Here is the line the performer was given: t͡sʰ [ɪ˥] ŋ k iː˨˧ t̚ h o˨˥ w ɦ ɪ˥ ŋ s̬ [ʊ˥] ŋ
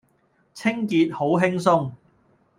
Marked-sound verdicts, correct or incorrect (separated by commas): correct, correct